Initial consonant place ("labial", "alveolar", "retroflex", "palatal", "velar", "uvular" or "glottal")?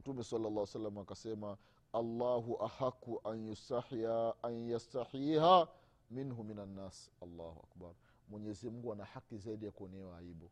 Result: labial